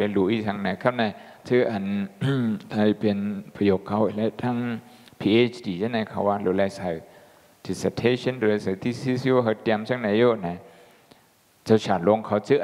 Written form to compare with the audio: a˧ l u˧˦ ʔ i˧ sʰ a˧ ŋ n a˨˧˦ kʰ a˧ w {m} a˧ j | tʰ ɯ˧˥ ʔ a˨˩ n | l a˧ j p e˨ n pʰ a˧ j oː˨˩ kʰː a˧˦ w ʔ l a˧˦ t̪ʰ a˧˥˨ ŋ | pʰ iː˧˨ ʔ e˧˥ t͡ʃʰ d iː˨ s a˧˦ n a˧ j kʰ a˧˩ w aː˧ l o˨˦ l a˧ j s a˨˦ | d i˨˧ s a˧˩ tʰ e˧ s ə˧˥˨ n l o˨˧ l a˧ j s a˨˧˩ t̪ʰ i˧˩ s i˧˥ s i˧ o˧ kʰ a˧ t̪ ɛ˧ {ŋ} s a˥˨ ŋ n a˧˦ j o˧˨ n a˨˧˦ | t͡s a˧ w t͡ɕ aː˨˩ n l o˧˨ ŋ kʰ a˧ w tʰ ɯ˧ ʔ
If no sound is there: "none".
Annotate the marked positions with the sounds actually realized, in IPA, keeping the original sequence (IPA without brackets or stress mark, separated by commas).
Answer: n, m